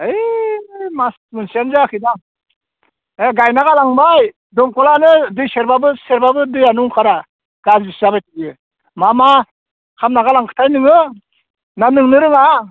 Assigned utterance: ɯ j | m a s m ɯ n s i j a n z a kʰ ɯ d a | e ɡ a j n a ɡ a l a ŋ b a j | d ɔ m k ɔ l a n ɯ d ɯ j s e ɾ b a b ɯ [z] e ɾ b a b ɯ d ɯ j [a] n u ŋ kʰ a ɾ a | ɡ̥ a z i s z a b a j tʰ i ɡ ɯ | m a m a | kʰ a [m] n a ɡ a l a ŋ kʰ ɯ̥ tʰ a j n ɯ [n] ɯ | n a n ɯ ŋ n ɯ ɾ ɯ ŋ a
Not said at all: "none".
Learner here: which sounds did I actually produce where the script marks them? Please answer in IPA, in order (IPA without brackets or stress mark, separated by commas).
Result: s, a, m, ŋ